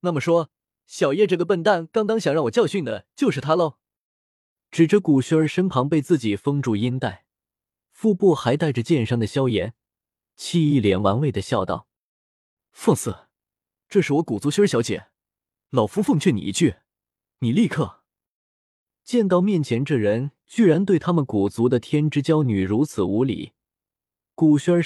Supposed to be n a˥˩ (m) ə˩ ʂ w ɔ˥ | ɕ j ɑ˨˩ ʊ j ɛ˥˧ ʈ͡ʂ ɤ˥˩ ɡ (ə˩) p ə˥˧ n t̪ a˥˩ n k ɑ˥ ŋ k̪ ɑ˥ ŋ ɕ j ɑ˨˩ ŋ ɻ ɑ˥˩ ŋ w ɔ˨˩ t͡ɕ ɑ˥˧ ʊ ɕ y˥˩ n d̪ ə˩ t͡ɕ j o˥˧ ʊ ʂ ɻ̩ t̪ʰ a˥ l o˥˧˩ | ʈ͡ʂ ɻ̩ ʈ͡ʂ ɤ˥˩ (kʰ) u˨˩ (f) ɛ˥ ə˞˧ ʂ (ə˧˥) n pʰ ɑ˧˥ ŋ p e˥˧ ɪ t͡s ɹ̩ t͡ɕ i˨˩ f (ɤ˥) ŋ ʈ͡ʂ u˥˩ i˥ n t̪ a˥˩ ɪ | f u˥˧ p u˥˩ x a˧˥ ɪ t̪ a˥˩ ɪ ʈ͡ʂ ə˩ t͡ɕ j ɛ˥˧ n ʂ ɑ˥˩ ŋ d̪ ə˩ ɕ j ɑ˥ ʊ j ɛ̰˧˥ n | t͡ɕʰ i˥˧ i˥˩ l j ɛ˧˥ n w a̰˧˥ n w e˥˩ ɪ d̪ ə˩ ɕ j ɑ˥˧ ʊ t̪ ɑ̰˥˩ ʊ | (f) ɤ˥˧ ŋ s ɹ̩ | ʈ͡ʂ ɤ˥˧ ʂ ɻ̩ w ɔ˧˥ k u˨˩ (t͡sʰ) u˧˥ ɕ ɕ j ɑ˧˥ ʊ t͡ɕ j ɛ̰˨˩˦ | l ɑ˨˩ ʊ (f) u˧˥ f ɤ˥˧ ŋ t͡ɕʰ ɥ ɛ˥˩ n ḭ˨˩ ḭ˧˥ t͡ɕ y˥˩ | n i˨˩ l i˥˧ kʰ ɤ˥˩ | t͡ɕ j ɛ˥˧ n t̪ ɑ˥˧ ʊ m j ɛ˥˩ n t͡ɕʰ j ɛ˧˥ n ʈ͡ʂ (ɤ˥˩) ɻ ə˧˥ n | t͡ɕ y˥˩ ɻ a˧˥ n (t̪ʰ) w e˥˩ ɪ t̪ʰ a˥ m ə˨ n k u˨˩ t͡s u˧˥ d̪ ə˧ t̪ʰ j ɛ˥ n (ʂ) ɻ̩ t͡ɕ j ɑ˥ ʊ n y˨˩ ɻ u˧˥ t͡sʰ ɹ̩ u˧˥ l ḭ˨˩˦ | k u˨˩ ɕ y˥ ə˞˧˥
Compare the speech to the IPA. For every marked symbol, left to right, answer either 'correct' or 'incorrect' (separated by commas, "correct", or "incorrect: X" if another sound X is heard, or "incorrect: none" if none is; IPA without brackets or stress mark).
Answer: correct, correct, incorrect: k, incorrect: ɕ, incorrect: ə˥, correct, correct, incorrect: t͡s, correct, correct, incorrect: t̪, incorrect: ʈ͡ʂ